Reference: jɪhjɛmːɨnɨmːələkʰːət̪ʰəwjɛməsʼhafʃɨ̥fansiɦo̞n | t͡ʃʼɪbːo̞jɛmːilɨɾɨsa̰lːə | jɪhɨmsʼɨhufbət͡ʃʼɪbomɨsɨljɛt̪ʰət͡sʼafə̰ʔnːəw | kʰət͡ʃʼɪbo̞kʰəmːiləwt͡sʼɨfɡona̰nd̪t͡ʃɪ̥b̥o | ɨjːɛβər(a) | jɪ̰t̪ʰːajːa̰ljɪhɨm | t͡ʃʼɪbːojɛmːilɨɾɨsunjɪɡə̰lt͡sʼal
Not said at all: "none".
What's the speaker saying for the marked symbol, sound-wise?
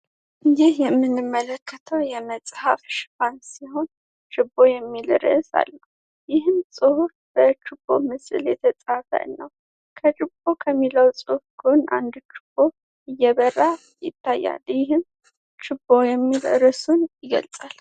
a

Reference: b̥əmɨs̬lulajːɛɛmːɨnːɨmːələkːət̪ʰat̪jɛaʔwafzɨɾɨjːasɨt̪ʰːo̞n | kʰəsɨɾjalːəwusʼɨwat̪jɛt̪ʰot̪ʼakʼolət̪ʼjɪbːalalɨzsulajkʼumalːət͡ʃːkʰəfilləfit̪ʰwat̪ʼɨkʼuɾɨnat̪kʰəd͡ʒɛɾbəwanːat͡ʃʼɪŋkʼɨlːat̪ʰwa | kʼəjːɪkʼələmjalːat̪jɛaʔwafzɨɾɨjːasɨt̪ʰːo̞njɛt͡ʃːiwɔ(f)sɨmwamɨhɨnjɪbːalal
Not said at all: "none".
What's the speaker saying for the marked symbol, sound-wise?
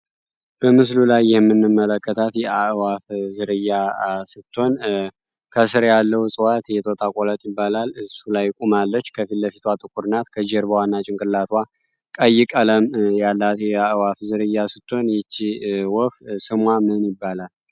f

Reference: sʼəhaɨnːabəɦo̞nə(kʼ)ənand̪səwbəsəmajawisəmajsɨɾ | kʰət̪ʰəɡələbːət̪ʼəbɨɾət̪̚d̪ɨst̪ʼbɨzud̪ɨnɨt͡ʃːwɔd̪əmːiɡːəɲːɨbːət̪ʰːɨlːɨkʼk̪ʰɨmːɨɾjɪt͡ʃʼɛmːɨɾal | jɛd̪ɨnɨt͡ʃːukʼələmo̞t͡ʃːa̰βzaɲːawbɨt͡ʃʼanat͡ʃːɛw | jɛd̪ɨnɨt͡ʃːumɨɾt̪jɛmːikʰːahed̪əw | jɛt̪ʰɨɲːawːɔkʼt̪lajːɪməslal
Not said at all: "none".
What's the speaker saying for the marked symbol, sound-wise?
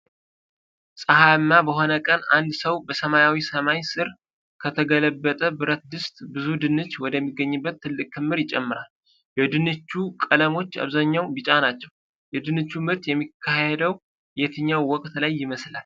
kʼ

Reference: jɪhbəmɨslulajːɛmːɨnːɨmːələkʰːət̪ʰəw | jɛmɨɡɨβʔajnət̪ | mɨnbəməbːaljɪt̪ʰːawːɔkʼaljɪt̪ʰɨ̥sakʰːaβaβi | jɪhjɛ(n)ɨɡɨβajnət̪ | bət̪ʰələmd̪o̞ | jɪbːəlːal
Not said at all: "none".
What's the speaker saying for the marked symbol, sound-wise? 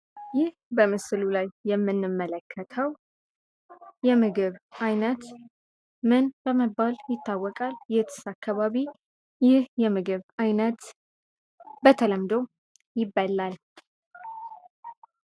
m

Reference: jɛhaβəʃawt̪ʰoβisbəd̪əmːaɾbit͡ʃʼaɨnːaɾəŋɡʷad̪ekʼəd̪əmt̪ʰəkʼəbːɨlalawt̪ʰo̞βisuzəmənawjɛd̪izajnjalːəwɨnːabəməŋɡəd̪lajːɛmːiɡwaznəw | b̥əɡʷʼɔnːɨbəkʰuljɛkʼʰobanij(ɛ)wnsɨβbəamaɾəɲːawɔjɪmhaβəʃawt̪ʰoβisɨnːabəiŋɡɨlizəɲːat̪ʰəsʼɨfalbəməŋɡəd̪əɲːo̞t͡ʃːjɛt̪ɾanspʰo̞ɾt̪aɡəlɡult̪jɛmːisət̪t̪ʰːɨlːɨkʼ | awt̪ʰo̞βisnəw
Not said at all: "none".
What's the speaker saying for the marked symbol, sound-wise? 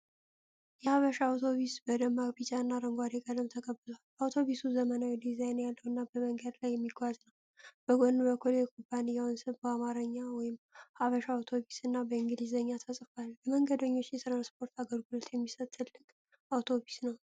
a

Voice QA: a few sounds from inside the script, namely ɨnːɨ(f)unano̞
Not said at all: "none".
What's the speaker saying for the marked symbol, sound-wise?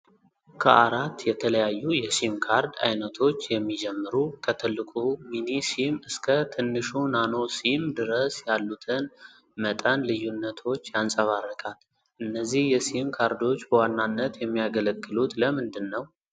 ʃ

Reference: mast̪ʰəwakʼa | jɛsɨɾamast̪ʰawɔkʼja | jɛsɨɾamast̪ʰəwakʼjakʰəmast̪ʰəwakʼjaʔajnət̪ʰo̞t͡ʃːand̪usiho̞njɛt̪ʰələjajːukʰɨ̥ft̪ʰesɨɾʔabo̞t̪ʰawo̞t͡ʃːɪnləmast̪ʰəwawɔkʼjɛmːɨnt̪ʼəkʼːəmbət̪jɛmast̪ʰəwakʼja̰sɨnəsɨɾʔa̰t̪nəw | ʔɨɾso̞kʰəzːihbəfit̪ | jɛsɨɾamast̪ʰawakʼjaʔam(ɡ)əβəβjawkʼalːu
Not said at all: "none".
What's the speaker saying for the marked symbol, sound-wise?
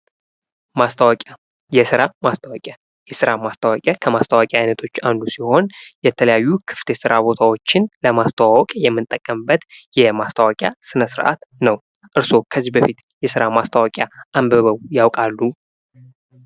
b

